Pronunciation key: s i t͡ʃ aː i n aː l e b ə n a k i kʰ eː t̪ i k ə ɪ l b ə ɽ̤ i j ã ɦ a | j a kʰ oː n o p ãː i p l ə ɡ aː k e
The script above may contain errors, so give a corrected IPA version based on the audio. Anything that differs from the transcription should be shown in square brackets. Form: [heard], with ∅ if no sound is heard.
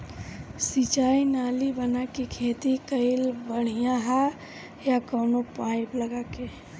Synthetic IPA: s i t͡ʃ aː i n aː l [i] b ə n a k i kʰ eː t̪ i k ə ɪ l b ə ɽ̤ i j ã ɦ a | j a [k] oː n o p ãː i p l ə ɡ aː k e